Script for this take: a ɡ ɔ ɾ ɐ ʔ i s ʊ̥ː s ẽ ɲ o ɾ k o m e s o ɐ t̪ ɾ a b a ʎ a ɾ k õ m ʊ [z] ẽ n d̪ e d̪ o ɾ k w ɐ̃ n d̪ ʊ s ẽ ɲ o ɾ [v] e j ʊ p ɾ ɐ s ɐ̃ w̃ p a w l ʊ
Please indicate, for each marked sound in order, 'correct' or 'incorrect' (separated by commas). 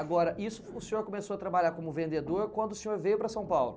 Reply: incorrect, correct